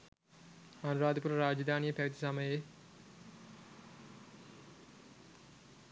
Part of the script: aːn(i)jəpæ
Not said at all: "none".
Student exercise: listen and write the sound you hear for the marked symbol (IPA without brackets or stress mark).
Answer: i